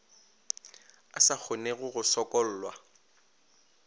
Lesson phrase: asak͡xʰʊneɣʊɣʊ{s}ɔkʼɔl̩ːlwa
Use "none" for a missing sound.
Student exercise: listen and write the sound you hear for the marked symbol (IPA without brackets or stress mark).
s